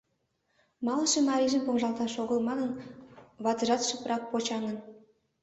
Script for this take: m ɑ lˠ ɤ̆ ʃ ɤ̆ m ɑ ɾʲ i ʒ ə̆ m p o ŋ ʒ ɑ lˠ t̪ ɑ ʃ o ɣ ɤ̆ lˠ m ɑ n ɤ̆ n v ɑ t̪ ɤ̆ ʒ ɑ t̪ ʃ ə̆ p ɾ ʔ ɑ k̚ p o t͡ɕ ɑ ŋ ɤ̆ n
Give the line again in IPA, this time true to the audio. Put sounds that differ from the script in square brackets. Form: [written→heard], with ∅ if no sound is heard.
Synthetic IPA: m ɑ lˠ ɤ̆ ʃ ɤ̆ m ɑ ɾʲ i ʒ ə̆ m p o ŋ ʒ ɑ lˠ t̪ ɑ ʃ o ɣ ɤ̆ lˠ m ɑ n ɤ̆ n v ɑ t̪ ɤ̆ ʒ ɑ t̪ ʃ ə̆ p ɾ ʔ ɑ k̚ p o t͡ɕ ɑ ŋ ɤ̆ n